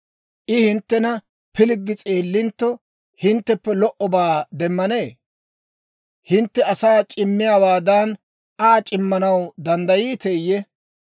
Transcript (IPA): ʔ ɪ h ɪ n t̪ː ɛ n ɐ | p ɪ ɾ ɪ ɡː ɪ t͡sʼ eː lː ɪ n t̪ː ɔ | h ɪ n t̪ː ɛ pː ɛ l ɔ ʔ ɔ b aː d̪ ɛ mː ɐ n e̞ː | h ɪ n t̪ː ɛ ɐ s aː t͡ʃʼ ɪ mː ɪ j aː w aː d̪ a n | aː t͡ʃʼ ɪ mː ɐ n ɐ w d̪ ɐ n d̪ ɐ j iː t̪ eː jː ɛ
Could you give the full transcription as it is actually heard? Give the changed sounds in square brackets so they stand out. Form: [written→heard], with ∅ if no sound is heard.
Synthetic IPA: ʔ ɪ h ɪ n t̪ː ɛ n ɐ | p ɪ [ɾ→l] ɪ ɡː ɪ t͡sʼ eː lː ɪ n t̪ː ɔ | h ɪ n t̪ː ɛ pː ɛ l ɔ ʔ ɔ b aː d̪ ɛ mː ɐ n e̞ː | h ɪ n t̪ː ɛ ɐ s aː t͡ʃʼ ɪ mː ɪ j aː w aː d̪ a n | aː t͡ʃʼ ɪ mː ɐ n ɐ w d̪ ɐ n d̪ ɐ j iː t̪ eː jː ɛ